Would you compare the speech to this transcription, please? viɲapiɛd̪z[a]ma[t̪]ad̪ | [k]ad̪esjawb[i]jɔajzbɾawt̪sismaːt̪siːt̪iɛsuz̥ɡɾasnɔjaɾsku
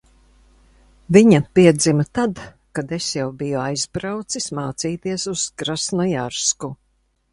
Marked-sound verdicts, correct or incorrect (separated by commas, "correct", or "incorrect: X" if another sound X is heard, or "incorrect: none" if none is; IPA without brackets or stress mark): incorrect: i, correct, correct, correct